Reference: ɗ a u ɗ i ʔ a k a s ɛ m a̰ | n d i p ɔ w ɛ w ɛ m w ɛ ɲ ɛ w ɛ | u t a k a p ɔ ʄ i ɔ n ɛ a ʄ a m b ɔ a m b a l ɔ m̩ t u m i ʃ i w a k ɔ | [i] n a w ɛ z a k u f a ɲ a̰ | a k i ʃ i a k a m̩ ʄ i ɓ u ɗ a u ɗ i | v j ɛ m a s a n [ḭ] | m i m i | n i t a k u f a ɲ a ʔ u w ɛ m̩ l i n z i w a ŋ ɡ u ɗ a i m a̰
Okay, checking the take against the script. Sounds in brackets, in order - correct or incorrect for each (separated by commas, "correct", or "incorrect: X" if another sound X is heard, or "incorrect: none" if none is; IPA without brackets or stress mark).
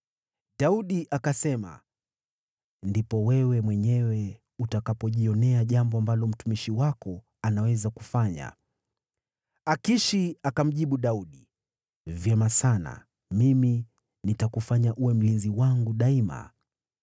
incorrect: a, incorrect: a̰